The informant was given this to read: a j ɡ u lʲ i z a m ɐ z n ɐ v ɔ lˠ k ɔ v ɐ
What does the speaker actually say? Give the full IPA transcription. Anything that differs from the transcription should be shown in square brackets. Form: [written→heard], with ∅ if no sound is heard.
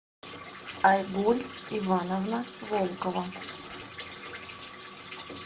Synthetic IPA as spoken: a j ɡ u lʲ i [z→v] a [m→n] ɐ [z→v] n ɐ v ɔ lˠ k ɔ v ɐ